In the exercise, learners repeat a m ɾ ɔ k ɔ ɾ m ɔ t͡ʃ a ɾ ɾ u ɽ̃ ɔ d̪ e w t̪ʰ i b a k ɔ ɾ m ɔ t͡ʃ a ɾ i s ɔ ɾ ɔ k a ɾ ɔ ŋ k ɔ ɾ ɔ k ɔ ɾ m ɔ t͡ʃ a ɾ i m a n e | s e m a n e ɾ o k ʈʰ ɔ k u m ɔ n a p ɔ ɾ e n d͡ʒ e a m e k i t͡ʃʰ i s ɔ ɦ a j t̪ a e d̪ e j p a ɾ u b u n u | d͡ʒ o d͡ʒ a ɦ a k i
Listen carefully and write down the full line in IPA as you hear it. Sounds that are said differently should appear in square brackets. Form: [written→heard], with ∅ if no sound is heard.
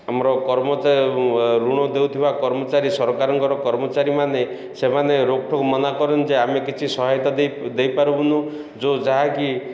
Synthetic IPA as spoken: a m ɾ ɔ k ɔ ɾ m ɔ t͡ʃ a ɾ ɾ u ɽ̃ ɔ d̪ e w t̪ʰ i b a k ɔ ɾ m ɔ t͡ʃ a ɾ i s ɔ ɾ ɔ k a ɾ ɔ ŋ k ɔ ɾ ɔ k ɔ ɾ m ɔ t͡ʃ a ɾ i m a n e | s e m a n e ɾ o k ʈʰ ɔ k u m ɔ n a [p→k] ɔ ɾ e n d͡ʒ e a m e k i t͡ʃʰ i s ɔ ɦ a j t̪ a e d̪ e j p a ɾ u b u n u | d͡ʒ o d͡ʒ a ɦ a k i

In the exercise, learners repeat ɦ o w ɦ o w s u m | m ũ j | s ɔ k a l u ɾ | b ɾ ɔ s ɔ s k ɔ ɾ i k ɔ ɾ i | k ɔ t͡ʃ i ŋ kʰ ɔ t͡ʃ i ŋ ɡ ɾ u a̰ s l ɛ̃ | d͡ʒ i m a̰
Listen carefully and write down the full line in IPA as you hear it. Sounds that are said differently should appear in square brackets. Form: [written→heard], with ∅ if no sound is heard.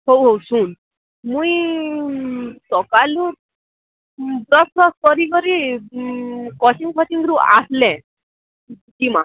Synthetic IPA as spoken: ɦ o w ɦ o w s u [m→n] | m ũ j | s ɔ k a l u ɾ | b ɾ ɔ s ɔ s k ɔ ɾ i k ɔ ɾ i | k ɔ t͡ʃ i ŋ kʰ ɔ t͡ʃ i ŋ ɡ ɾ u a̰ s l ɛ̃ | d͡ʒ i m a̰

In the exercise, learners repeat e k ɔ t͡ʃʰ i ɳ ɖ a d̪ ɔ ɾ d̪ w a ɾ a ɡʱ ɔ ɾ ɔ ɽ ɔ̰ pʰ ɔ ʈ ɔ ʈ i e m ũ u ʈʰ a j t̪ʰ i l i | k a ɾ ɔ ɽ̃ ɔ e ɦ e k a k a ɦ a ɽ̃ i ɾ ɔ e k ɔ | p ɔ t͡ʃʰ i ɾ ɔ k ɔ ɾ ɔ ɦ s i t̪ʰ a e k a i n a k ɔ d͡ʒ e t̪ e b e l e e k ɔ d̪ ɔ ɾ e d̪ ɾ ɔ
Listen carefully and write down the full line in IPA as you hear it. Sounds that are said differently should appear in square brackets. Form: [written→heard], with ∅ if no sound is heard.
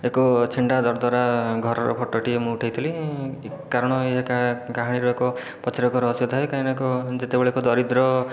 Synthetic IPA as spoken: e k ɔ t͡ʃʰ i ɳ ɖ a d̪ ɔ ɾ d̪ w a ɾ a ɡʱ ɔ ɾ ɔ [ɽ→ɾ] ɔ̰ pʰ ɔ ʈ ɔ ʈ i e m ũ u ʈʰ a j t̪ʰ i l i | k a ɾ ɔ ɽ̃ ɔ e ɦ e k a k a ɦ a ɽ̃ i ɾ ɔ e k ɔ | p ɔ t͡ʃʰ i ɾ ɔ k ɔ ɾ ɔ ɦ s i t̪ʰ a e k a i n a k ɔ d͡ʒ e t̪ e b e [l→ɭ] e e k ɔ d̪ ɔ ɾ [e→i] d̪ ɾ ɔ

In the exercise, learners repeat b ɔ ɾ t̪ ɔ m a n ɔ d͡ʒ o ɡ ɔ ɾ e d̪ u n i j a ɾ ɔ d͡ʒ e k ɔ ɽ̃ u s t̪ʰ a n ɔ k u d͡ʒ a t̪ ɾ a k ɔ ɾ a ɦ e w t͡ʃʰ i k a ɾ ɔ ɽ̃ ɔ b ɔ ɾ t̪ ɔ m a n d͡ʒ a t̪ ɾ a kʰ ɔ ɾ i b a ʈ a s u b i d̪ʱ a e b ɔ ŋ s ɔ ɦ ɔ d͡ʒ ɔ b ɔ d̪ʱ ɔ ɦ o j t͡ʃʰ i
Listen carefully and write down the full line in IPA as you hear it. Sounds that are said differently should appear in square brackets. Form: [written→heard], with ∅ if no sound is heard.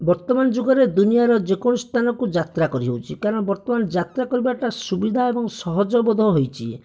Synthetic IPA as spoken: b ɔ ɾ t̪ ɔ m a n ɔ d͡ʒ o ɡ ɔ ɾ e d̪ u n i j a ɾ ɔ d͡ʒ e k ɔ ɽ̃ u s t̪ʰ a n ɔ k u d͡ʒ a t̪ ɾ a k ɔ ɾ [a→i] ɦ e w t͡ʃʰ i k a ɾ ɔ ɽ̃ ɔ b ɔ ɾ t̪ ɔ m a n d͡ʒ a t̪ ɾ a [kʰ→k] ɔ ɾ i b a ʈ a s u b i d̪ʱ a e b ɔ ŋ s ɔ ɦ ɔ d͡ʒ ɔ b ɔ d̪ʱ ɔ ɦ o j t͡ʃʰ i

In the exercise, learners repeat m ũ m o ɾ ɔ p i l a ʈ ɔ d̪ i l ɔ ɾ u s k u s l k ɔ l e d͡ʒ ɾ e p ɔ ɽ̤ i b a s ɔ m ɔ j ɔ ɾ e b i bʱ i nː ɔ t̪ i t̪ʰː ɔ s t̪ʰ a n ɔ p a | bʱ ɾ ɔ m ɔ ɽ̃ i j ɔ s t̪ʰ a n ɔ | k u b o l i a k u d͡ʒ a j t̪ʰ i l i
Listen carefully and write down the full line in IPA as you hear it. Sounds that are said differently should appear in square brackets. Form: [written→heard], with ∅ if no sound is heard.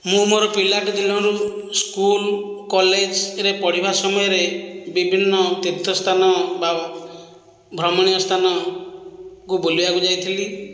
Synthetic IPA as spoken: m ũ m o ɾ ɔ p i l a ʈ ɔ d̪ i l ɔ ɾ u s k u [s→∅] l k ɔ l e d͡ʒ ɾ e p ɔ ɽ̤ i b a s ɔ m ɔ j ɔ ɾ e b i bʱ i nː ɔ t̪ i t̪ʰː ɔ s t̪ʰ a n ɔ [p→b] a | bʱ ɾ ɔ m ɔ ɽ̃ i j ɔ s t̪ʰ a n ɔ | k u b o l i a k u d͡ʒ a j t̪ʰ i l i

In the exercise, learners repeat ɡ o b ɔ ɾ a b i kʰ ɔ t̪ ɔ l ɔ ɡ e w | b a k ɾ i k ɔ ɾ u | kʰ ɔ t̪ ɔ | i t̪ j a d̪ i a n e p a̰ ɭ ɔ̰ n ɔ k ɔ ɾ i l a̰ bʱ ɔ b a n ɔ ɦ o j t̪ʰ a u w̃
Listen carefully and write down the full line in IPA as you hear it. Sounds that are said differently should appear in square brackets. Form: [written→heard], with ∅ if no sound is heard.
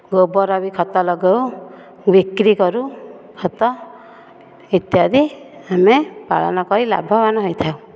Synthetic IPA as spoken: ɡ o b ɔ ɾ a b i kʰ ɔ t̪ ɔ l ɔ ɡ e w | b [a→i] k ɾ i k ɔ ɾ u | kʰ ɔ t̪ ɔ | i t̪ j a d̪ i a [n→m] e p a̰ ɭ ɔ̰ n ɔ k ɔ ɾ i l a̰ bʱ ɔ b a n ɔ ɦ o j t̪ʰ a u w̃

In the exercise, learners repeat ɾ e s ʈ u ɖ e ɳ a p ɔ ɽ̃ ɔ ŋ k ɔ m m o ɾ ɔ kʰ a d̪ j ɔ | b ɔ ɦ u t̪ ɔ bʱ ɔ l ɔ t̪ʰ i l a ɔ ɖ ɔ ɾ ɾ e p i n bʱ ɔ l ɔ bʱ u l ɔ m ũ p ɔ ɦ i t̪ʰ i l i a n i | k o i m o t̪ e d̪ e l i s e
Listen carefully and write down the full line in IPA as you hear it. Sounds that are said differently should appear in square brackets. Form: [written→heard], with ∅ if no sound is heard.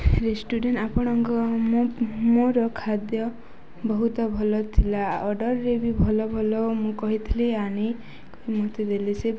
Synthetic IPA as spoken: ɾ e s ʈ u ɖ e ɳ a p ɔ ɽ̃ ɔ ŋ k ɔ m m o ɾ ɔ kʰ a d̪ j ɔ | b ɔ ɦ u t̪ ɔ bʱ ɔ l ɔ t̪ʰ i l a ɔ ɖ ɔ ɾ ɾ e [p→b] i [n→∅] bʱ ɔ l ɔ bʱ [u→ɔ] l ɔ m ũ [p→k] ɔ ɦ i t̪ʰ i l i a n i | k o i m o t̪ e d̪ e l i s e

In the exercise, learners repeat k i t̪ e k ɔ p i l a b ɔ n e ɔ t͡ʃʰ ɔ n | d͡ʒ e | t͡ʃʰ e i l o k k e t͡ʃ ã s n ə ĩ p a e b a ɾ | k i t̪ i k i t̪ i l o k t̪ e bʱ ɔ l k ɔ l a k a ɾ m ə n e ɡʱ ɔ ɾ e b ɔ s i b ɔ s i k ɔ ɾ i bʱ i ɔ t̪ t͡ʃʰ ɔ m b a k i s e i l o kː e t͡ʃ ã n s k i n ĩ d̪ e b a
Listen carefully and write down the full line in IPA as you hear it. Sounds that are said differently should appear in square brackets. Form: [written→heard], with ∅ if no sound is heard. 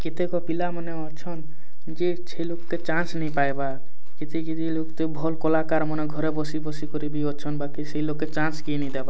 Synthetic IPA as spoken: k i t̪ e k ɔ p i l a [b→m] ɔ n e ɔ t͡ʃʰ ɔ n | d͡ʒ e | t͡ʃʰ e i l o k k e t͡ʃ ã s n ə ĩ p a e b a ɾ | k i t̪ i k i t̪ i l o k t̪ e bʱ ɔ l k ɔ l a k a ɾ m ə n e ɡʱ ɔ ɾ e b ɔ s i b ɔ s i k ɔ ɾ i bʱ i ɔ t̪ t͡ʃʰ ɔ [m→n] b a k i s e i l o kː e t͡ʃ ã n s k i n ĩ d̪ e b a

